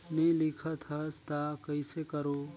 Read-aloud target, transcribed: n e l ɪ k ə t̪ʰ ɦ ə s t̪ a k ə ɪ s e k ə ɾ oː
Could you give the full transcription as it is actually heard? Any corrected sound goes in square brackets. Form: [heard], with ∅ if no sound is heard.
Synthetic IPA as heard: n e l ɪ [kʰ] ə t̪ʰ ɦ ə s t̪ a k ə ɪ s e k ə ɾ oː